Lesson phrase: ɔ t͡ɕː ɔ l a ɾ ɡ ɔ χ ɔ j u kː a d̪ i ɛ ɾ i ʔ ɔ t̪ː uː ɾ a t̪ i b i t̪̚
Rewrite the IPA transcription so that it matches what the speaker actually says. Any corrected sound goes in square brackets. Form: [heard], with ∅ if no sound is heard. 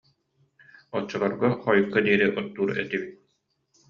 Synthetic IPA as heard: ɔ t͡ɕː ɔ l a ɾ ɡ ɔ χ ɔ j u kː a d̪ i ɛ ɾ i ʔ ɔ t̪ː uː ɾ [ɛ] t̪ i b i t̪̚